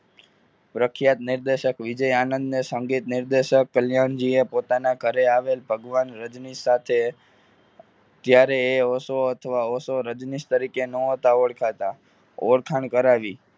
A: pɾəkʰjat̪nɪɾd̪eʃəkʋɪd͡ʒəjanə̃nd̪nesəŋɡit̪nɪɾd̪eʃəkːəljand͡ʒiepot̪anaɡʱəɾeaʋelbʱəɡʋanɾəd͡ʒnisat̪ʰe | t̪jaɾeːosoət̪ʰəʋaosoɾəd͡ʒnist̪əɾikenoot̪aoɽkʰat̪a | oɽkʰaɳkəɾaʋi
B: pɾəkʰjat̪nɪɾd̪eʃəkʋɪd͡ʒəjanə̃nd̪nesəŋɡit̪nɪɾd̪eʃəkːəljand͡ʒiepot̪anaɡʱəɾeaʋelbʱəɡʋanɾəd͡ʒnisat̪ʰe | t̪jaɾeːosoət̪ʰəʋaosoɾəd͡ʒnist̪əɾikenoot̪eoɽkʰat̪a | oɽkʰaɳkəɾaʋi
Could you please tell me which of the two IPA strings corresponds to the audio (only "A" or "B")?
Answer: A